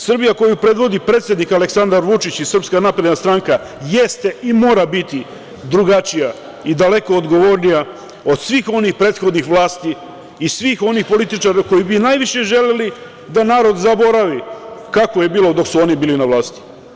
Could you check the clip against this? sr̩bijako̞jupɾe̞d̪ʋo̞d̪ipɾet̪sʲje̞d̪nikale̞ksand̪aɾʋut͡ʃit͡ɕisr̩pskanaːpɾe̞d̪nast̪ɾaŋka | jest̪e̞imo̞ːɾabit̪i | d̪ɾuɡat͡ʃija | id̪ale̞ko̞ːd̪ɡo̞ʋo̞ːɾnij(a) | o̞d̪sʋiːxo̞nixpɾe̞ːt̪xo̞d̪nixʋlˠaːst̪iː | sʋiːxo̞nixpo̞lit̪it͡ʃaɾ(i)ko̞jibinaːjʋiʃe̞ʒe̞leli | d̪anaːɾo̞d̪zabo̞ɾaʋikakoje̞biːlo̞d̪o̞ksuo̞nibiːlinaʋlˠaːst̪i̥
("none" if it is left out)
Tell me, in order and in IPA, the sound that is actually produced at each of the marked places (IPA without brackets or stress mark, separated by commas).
a, a